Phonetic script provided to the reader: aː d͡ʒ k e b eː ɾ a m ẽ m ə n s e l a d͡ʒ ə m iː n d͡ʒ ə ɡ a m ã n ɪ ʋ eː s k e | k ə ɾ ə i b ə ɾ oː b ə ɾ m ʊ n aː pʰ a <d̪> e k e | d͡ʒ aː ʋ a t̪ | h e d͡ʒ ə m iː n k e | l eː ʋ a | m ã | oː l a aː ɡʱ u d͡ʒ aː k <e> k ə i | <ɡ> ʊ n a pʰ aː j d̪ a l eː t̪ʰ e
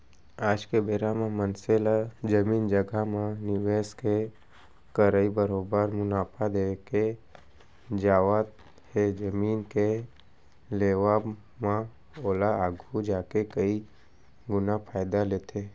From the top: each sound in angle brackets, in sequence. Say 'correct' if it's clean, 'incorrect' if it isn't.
correct, correct, correct

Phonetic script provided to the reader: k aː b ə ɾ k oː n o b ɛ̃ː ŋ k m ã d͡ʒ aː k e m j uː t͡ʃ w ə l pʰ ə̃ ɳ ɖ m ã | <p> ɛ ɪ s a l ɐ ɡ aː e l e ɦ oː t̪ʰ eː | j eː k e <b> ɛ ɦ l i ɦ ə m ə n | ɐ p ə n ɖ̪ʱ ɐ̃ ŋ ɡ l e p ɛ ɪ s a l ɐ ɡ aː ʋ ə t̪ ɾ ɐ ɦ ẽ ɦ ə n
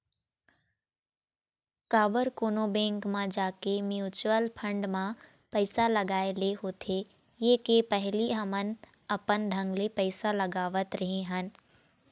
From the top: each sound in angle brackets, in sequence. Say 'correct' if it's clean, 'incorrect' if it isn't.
correct, incorrect: p

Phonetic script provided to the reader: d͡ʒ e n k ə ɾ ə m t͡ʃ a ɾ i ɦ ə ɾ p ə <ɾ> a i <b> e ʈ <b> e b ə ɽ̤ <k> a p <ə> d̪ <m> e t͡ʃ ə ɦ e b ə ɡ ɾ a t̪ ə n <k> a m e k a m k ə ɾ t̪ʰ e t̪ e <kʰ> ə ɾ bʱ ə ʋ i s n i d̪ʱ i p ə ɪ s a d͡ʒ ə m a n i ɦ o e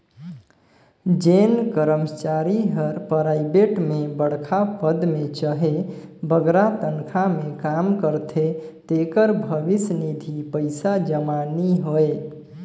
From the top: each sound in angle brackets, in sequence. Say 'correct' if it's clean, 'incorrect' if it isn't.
correct, correct, incorrect: m, incorrect: kʰ, correct, correct, incorrect: kʰ, incorrect: k

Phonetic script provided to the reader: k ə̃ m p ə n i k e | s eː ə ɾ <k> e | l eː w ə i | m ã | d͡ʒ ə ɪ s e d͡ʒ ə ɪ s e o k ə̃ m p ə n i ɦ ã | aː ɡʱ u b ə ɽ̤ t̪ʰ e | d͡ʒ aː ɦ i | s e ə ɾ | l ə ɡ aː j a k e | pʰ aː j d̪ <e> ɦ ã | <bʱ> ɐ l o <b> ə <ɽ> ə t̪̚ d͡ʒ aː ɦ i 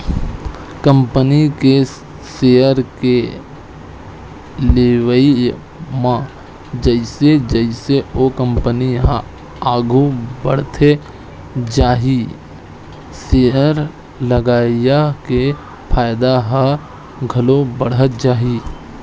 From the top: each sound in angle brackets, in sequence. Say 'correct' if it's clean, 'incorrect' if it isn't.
correct, incorrect: a, incorrect: ɡʱ, correct, correct

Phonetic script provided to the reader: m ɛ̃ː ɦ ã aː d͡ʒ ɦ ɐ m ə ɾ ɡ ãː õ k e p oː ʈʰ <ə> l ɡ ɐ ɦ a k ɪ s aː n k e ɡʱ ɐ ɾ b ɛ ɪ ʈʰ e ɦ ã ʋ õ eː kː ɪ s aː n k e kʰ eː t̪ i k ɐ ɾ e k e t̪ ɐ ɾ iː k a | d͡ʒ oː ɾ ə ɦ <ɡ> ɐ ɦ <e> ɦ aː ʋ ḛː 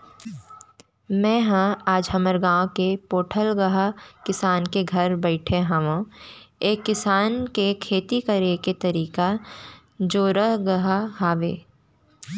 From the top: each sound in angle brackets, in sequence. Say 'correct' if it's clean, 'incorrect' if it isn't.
correct, correct, incorrect: a

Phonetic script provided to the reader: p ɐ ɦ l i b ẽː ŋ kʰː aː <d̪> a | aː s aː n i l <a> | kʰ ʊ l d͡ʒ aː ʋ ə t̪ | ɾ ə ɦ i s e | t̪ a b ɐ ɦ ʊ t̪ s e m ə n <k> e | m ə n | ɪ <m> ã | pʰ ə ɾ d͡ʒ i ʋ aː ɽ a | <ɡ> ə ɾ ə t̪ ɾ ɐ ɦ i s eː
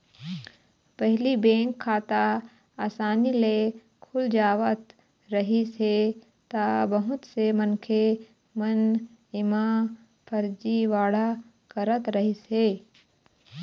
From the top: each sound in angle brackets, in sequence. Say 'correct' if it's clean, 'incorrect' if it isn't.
incorrect: t̪, incorrect: e, incorrect: kʰ, correct, incorrect: k

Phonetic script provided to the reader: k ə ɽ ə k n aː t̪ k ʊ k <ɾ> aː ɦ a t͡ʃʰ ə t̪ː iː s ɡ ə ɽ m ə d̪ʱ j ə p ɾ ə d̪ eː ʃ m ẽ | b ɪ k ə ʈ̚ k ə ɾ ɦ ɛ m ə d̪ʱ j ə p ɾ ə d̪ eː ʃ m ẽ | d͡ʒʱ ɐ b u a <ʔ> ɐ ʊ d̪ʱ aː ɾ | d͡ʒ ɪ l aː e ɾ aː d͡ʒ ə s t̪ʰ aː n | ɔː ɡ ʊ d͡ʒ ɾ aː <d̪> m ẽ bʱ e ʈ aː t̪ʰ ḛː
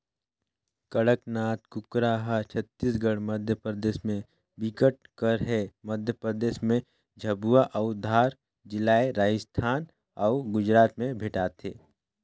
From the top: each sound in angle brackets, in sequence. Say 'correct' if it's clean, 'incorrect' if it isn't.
correct, correct, incorrect: t̪

